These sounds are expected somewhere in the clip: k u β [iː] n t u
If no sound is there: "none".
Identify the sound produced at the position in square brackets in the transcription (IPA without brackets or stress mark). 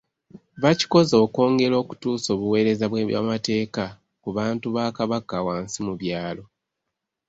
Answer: aː